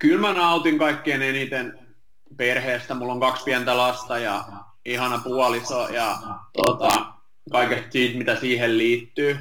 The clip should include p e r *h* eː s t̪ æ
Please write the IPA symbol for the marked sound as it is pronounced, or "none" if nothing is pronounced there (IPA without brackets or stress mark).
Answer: h